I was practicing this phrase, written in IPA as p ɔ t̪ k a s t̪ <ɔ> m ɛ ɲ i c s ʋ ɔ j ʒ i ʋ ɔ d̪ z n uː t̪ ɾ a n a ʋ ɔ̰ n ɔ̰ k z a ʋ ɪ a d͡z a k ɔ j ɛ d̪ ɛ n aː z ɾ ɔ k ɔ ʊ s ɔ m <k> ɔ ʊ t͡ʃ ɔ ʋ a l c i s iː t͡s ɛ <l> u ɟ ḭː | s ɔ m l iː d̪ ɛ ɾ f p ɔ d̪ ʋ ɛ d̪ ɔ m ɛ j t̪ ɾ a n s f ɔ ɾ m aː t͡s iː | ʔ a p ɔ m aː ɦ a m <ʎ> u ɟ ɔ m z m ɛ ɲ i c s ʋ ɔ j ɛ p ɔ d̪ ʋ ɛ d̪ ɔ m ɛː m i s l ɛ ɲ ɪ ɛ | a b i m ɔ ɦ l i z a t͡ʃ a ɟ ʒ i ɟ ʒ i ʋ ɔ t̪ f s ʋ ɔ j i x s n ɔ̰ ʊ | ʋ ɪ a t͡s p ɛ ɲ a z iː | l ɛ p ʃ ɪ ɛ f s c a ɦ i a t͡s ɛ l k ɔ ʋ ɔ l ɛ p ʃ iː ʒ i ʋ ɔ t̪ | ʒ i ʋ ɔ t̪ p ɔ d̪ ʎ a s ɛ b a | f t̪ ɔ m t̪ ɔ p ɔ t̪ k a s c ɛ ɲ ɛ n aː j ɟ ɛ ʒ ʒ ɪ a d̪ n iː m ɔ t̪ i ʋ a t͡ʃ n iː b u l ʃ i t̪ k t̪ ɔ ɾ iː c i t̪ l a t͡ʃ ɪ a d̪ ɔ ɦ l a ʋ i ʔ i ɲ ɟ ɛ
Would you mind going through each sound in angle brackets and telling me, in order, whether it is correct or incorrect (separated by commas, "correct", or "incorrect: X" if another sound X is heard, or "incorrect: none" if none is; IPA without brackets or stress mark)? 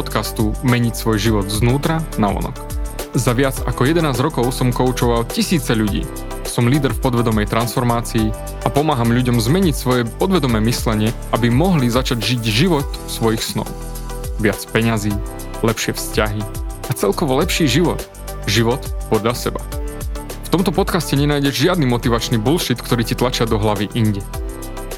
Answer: incorrect: u, correct, incorrect: ʎ, correct